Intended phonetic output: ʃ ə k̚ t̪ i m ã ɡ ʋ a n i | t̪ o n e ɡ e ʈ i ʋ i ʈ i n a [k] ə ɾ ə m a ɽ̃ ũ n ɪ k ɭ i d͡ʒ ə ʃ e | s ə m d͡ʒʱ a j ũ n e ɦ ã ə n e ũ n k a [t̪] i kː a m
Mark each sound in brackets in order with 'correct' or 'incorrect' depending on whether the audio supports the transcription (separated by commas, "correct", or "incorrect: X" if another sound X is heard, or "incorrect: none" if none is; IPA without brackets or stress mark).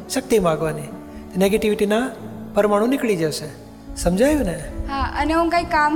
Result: incorrect: p, incorrect: none